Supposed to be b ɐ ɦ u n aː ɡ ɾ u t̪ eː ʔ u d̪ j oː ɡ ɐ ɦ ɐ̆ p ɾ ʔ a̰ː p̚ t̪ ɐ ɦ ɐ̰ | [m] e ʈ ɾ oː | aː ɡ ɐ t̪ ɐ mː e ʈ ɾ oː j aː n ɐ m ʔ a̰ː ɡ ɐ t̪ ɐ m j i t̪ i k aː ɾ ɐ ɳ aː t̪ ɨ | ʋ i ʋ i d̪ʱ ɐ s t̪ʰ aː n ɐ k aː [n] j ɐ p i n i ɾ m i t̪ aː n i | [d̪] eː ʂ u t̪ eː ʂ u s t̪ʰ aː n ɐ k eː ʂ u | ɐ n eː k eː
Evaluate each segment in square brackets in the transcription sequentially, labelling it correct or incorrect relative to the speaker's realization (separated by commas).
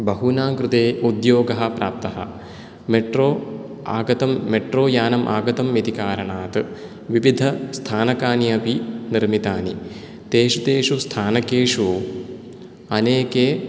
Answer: correct, correct, incorrect